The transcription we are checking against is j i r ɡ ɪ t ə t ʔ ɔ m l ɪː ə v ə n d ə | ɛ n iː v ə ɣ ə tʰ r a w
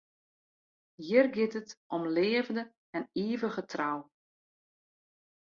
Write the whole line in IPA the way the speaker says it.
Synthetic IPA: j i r ɡ ɪ t ə t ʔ ɔ m l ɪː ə v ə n d ə | ɛ n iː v ə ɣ ə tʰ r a w